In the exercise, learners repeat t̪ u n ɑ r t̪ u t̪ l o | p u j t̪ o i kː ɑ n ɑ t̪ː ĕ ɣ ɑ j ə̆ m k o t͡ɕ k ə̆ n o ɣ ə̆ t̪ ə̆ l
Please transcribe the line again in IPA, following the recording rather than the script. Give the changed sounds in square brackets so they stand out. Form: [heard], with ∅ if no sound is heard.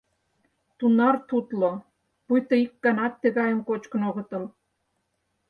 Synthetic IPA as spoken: t̪ u n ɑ r t̪ u t̪ l o | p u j t̪ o i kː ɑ n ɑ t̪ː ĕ ɣ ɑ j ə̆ m k o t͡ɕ k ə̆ n o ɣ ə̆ t̪ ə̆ l